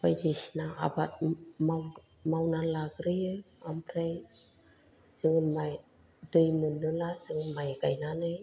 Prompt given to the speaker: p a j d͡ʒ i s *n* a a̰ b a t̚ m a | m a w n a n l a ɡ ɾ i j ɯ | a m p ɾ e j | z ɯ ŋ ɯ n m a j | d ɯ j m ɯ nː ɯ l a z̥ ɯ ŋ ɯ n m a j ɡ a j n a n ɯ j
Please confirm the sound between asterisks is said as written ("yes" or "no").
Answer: yes